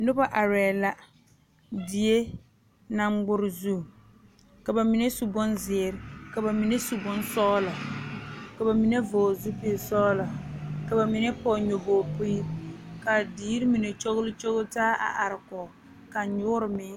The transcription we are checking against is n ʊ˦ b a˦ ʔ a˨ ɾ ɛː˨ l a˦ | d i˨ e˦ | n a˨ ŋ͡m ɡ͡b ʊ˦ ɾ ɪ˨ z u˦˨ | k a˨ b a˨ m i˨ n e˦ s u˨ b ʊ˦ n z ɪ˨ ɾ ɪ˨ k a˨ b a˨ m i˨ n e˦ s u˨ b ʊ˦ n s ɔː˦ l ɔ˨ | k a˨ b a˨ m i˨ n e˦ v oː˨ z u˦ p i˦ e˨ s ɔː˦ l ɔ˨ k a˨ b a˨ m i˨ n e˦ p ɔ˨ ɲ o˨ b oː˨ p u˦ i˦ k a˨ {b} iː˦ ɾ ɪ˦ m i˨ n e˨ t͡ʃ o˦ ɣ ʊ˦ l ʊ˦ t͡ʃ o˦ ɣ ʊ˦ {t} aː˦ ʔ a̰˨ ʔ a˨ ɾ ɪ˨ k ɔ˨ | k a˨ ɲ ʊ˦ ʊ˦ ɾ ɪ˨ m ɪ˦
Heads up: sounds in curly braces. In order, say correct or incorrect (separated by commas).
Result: incorrect, correct